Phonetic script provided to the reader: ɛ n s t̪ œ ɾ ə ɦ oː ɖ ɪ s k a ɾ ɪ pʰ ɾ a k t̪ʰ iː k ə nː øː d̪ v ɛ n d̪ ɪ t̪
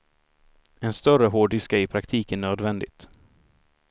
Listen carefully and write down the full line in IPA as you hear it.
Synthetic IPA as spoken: ɛ n s t̪ œ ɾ ə ɦ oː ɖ ɪ s k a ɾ ɪ pʰ ɾ a k t̪ʰ iː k ə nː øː d̪ v ɛ n d̪ ɪ t̪

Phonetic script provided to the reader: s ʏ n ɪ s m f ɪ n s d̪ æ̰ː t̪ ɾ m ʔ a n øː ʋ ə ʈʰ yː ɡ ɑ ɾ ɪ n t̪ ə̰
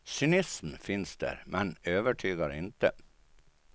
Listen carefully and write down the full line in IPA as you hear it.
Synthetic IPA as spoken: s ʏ n ɪ s m f ɪ n s d̪ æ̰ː ɾ m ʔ ɛ n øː ʋ ə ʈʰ yː ɡ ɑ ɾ ɪ n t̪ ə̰

